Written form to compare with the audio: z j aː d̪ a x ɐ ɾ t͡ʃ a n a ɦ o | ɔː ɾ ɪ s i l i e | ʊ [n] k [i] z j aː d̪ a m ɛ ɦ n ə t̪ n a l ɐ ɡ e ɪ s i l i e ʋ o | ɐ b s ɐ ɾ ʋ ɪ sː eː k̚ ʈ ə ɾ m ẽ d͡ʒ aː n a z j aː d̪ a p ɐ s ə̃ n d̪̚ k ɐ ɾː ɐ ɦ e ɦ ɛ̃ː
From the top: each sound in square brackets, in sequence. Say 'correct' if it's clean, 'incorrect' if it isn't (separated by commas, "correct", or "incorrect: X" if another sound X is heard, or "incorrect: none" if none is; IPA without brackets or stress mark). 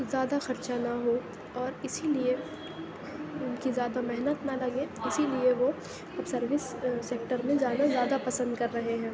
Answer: correct, correct